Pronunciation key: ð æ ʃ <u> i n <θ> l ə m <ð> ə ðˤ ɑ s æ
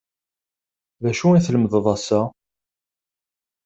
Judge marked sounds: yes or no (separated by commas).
yes, yes, yes